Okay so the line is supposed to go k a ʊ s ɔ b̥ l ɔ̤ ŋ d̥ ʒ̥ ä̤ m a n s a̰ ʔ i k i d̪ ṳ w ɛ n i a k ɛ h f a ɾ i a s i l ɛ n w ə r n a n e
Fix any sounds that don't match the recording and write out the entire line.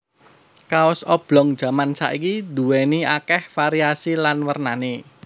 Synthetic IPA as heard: k a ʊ s ɔ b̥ l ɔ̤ ŋ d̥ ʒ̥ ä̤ m a n s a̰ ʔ i k i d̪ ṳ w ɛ n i a k ɛ h f a ɾ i a s i l a n w ə r n a n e